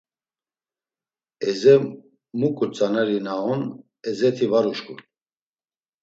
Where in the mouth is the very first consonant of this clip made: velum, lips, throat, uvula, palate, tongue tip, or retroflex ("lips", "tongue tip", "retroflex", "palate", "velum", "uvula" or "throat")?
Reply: tongue tip